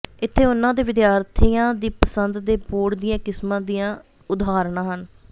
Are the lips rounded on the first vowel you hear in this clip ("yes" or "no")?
no